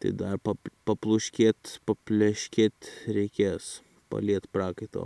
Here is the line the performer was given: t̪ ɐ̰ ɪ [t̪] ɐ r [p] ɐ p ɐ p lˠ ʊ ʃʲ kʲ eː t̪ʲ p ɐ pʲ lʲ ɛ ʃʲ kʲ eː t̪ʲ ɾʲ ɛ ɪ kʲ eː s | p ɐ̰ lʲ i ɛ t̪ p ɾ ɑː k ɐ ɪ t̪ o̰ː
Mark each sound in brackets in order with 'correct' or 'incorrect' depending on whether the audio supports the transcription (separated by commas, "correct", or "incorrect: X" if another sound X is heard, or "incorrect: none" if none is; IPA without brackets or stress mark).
incorrect: d̪, correct